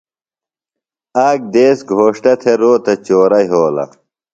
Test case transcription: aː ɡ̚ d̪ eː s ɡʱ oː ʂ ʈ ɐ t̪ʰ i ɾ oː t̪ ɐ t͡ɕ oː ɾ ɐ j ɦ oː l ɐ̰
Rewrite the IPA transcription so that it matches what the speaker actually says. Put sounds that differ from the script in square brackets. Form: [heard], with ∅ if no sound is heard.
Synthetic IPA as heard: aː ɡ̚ d̪ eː s ɡʱ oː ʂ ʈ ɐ t̪ʰ [e] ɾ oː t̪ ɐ t͡ɕ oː ɾ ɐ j ɦ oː l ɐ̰